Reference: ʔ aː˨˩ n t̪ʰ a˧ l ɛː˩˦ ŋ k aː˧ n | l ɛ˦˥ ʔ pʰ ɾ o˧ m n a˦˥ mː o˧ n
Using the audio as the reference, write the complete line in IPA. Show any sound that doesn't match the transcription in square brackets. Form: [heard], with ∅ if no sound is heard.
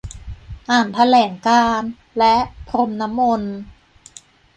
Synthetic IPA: ʔ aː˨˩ n t̪ʰ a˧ l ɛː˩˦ ŋ k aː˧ n | l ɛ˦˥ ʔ pʰ ɾ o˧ m n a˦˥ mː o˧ n